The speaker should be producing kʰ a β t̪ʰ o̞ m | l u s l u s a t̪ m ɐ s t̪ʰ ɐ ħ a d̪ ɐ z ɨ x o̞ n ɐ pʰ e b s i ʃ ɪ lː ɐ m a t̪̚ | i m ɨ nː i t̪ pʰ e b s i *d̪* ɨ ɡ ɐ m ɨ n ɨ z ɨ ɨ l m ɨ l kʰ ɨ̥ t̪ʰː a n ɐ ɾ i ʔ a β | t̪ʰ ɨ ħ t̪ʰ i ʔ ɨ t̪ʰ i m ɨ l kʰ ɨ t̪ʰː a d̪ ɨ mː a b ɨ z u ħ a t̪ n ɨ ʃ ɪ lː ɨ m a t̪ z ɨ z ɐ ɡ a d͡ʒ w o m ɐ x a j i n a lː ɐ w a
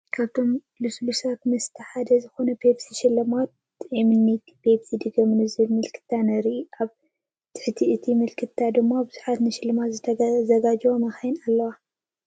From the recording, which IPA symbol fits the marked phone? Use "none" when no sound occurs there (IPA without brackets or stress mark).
d̪